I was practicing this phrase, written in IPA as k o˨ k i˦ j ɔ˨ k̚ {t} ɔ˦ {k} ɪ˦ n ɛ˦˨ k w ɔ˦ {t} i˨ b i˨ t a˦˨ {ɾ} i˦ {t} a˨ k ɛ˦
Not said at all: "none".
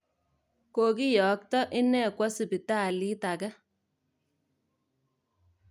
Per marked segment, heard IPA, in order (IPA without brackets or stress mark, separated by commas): t, ʔ, s, l, t